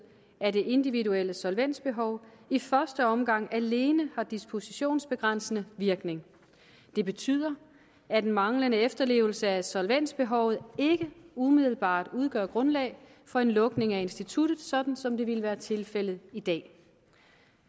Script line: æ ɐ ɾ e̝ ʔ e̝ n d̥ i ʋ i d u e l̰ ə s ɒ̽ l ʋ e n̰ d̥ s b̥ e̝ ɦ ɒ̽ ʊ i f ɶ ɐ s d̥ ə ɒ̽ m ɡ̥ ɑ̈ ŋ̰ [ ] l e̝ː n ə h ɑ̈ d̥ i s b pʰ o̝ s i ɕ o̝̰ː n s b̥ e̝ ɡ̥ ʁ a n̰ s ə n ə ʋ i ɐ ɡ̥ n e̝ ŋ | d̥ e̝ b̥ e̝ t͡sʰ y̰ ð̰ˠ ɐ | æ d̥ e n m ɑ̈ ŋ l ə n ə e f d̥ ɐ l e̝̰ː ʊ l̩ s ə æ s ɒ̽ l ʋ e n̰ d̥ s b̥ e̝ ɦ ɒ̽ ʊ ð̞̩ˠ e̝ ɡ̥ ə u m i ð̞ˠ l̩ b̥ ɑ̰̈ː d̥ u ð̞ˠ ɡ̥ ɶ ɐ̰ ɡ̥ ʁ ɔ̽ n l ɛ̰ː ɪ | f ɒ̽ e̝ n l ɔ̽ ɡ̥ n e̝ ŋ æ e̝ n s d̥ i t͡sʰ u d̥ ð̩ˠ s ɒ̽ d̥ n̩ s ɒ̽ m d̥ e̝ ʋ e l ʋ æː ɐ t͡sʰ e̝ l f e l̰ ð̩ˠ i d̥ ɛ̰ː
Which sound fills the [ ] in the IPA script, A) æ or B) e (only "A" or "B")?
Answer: A